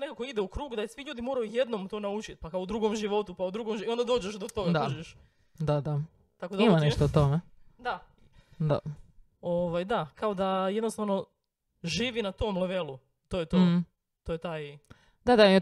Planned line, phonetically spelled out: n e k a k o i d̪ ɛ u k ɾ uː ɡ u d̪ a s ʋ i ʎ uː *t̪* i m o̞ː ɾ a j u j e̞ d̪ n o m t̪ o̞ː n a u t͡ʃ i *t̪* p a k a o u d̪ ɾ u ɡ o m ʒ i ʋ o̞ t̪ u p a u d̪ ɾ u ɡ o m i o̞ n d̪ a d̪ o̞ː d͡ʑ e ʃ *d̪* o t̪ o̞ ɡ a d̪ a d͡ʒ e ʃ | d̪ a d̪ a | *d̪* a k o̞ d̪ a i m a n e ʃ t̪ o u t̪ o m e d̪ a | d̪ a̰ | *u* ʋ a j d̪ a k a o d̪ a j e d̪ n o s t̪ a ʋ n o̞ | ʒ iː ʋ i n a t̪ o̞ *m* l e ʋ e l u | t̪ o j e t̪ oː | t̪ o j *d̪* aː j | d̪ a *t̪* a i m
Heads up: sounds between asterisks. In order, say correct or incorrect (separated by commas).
incorrect, correct, correct, incorrect, incorrect, correct, incorrect, incorrect